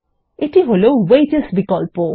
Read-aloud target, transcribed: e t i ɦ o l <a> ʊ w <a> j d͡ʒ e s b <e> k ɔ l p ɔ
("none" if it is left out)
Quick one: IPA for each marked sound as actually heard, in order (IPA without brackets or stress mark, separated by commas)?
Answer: e, e, i